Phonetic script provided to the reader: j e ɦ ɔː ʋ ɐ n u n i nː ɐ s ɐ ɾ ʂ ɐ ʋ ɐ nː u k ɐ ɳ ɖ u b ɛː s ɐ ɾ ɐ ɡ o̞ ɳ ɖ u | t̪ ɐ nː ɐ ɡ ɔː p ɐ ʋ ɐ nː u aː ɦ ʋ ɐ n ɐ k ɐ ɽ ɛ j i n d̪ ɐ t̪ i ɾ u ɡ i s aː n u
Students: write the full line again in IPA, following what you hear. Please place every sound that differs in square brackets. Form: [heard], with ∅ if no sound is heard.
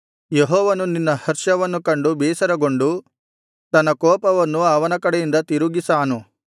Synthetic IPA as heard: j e ɦ ɔː ʋ ɐ n u n i nː ɐ [h] ɐ ɾ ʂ ɐ ʋ ɐ nː u k ɐ ɳ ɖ u b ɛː s ɐ ɾ ɐ ɡ o̞ ɳ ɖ u | t̪ ɐ nː ɐ [k] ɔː p ɐ ʋ ɐ nː u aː [∅] ʋ ɐ n ɐ k ɐ ɽ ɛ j i n d̪ ɐ t̪ i ɾ u ɡ i s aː n u